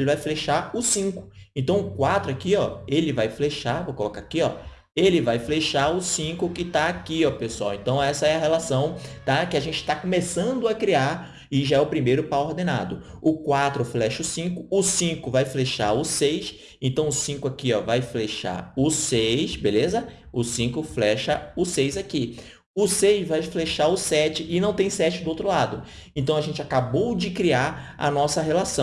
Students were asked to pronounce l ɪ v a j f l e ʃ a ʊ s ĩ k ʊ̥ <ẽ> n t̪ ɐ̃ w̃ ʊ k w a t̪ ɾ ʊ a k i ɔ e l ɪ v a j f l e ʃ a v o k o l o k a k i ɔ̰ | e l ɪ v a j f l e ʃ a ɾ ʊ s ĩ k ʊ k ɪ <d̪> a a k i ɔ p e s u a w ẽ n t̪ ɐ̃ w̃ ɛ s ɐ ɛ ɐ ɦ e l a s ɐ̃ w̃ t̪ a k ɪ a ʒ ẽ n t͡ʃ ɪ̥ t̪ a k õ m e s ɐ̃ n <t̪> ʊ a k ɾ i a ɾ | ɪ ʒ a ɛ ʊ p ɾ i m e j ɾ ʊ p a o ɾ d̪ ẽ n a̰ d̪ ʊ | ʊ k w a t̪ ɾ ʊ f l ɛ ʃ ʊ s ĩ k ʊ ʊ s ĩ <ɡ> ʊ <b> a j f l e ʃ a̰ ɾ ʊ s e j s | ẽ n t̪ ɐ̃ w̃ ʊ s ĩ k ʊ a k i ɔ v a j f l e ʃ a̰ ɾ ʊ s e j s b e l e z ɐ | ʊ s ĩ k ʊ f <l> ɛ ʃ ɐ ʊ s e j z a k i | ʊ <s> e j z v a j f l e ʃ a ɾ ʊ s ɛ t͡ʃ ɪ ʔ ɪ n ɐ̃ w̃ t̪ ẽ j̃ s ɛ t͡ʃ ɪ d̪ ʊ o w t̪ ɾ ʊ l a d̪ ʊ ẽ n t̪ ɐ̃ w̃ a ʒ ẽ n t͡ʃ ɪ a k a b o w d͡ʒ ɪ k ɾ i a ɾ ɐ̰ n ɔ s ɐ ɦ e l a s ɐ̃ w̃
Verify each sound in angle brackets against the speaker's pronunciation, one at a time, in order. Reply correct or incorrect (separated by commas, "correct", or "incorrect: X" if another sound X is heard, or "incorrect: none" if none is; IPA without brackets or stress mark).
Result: correct, incorrect: t̪, incorrect: d̪, incorrect: k, incorrect: v, correct, correct